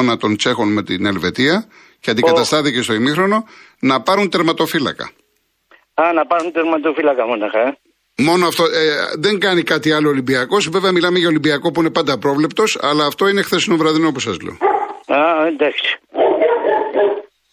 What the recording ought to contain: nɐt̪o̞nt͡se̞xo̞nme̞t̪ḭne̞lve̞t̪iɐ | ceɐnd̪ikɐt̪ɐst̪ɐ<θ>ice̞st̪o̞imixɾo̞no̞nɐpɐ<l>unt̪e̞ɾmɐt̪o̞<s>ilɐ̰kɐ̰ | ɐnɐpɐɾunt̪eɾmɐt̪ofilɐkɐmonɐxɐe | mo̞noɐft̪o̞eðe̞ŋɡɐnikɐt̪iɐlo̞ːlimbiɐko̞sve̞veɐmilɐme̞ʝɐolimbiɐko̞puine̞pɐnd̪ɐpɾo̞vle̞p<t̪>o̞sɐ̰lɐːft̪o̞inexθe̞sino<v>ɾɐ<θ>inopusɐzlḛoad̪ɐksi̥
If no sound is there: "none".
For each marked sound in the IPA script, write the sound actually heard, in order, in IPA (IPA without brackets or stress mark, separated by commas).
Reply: θ, ɾ, f, t̪, v, ð